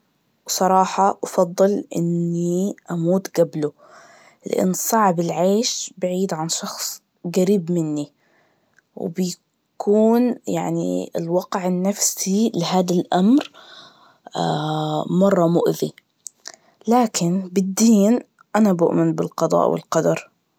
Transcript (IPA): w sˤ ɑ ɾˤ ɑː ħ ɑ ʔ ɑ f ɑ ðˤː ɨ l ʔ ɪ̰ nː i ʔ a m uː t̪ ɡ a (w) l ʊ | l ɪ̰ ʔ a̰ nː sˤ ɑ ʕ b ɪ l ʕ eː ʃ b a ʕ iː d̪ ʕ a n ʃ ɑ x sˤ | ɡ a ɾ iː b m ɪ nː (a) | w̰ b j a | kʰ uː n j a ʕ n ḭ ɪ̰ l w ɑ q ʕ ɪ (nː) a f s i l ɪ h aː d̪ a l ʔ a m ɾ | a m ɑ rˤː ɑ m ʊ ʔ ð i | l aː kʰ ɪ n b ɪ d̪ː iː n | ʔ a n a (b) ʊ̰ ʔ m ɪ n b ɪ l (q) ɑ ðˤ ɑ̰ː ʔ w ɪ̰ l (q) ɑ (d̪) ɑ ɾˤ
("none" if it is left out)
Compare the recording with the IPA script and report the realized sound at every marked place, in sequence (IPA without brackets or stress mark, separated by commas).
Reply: b, i, nː, b, q, q, d̪